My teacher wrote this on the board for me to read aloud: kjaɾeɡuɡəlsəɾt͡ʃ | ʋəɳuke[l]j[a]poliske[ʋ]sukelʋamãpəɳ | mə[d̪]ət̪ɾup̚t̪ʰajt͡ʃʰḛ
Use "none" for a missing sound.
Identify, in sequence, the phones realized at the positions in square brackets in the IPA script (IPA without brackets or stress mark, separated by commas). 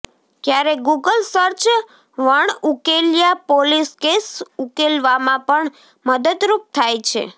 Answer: l, a, none, d̪